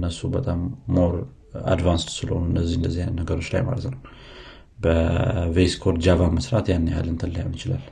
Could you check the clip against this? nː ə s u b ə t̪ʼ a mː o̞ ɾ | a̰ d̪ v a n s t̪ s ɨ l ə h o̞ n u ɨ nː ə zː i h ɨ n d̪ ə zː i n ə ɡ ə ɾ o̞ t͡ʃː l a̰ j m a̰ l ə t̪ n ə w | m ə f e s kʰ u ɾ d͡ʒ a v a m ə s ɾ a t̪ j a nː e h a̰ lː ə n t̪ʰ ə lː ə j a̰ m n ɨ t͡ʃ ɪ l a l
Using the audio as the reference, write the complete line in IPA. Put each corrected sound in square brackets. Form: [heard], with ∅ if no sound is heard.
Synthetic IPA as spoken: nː ə s u b ə t̪ʼ a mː o̞ ɾ | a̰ d̪ v a n s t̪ s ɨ l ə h o̞ n u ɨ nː ə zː i h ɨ n d̪ ə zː i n ə ɡ ə ɾ o̞ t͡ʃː l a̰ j m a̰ l ə t̪ n ə w | [b] ə [v] e s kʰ [o] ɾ d͡ʒ a v a m ə s ɾ a t̪ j a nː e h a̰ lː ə n t̪ʰ ə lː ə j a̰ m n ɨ t͡ʃ ɪ l a l